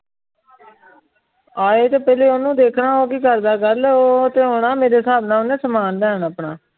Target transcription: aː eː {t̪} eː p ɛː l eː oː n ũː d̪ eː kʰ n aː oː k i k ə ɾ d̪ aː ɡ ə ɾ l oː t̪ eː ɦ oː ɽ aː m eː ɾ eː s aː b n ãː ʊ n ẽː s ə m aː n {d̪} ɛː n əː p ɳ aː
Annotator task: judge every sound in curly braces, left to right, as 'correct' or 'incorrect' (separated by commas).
correct, correct